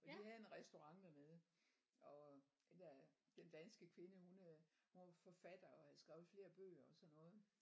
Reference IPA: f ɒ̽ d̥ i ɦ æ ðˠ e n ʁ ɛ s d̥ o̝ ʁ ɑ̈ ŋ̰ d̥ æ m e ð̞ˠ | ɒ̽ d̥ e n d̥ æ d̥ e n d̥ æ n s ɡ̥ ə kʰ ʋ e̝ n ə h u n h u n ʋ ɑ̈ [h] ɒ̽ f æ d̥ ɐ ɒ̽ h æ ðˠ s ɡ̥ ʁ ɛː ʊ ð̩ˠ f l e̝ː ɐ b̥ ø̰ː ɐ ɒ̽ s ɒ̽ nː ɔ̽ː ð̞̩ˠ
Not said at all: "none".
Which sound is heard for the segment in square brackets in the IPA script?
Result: f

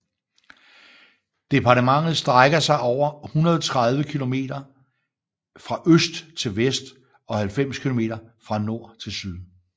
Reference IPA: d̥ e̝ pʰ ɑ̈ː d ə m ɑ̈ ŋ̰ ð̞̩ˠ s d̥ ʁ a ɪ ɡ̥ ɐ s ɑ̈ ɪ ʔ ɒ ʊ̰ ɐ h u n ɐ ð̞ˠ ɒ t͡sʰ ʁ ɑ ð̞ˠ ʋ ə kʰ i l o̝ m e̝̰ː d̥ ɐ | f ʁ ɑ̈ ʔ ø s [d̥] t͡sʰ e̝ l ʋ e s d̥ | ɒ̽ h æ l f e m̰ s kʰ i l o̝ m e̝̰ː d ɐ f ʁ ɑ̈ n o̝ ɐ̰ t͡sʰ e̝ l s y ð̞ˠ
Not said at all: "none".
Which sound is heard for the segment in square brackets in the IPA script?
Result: d̥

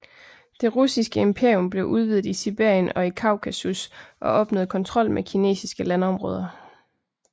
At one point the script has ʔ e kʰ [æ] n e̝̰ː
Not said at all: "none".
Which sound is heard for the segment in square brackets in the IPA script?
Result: i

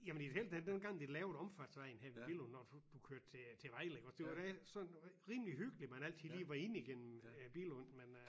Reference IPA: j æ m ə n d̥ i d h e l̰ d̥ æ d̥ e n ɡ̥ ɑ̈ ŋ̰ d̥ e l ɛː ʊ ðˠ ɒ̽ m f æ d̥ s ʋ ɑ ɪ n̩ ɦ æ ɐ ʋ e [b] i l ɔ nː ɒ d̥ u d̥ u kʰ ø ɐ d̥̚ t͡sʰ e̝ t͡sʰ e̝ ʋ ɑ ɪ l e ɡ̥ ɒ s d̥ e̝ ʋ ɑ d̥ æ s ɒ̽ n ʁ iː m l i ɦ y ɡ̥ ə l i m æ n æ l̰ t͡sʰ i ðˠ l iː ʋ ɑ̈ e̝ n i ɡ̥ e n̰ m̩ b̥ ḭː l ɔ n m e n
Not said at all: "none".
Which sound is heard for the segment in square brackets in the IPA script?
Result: b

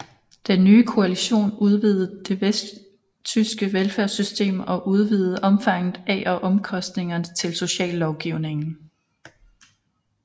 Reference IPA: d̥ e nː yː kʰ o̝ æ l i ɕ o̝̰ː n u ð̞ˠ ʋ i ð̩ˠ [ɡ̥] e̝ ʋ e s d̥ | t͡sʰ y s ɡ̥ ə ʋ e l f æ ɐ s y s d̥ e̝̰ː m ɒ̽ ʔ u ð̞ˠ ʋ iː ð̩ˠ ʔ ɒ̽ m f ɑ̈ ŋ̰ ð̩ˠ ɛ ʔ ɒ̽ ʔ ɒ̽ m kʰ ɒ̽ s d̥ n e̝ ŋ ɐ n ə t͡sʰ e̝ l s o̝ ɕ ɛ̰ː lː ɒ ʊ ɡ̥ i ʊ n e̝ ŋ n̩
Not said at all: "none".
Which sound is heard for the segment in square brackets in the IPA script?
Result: d̥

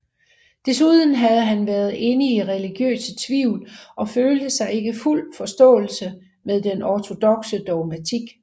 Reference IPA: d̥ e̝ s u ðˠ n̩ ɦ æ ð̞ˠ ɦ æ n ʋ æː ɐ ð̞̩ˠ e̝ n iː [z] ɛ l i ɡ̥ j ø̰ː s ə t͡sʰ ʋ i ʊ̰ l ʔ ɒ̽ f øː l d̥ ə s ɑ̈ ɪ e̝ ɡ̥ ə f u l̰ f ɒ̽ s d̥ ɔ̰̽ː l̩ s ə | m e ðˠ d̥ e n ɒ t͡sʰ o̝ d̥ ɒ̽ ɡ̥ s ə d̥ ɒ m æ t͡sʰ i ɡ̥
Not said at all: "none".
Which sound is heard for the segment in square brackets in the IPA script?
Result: ʁ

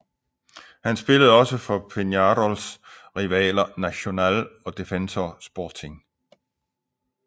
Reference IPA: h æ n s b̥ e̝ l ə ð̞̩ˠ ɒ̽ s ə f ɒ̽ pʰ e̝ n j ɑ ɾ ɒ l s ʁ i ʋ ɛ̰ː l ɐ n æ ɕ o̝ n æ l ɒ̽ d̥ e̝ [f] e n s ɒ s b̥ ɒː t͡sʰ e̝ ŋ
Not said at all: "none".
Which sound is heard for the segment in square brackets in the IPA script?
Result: f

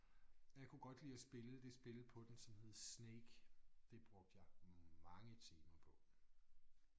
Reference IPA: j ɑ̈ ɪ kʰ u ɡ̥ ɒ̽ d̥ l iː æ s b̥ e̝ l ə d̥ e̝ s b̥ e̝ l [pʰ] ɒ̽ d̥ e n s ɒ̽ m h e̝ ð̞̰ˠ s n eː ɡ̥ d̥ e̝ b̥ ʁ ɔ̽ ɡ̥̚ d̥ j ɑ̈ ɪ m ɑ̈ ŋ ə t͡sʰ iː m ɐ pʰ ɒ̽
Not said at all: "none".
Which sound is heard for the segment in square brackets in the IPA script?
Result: pʰ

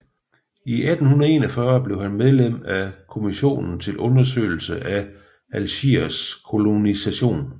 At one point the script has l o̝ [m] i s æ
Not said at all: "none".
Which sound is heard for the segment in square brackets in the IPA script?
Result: n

